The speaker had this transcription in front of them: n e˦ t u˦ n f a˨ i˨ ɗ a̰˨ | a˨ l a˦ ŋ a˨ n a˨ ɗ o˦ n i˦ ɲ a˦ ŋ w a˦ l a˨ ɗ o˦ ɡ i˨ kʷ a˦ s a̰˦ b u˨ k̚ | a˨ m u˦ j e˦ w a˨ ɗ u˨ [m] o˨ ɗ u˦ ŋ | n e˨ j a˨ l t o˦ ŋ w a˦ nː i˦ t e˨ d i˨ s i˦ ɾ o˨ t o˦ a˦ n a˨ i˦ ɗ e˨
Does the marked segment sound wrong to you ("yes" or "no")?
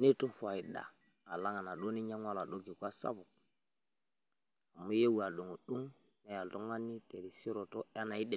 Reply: yes